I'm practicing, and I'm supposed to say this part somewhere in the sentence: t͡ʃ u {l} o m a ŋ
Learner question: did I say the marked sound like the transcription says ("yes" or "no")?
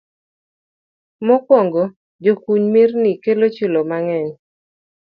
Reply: yes